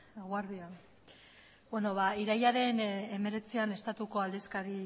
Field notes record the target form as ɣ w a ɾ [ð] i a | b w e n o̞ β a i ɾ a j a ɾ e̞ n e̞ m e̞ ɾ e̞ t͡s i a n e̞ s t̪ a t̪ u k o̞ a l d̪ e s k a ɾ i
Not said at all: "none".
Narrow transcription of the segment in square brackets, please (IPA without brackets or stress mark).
ð